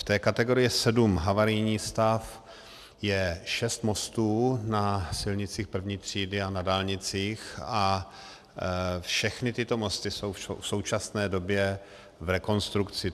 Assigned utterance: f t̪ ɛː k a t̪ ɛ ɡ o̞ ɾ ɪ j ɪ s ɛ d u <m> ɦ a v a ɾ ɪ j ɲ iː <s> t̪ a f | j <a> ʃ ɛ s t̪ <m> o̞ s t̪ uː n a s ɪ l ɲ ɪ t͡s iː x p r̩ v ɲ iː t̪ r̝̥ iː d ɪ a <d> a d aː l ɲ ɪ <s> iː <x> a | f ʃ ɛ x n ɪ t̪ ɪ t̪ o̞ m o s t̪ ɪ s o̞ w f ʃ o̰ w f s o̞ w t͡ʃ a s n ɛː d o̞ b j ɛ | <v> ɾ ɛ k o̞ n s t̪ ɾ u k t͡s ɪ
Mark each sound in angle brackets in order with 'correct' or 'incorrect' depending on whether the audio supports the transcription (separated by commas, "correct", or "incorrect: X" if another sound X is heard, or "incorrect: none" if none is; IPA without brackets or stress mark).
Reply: correct, correct, incorrect: ɛ, correct, incorrect: n, incorrect: t͡s, correct, correct